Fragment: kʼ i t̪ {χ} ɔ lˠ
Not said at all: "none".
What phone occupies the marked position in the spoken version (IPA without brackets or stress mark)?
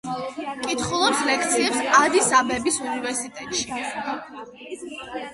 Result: χ